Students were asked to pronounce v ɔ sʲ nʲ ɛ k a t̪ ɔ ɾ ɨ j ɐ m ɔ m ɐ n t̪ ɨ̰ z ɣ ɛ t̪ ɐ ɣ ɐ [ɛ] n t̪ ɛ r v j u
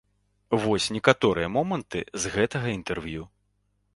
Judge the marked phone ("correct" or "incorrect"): incorrect